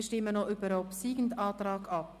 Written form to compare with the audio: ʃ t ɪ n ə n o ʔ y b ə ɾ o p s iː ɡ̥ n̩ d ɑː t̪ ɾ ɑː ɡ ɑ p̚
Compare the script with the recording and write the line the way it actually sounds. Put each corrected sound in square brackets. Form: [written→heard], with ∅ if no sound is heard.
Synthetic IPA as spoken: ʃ t ɪ [n→m] ə n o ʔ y b ə ɾ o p s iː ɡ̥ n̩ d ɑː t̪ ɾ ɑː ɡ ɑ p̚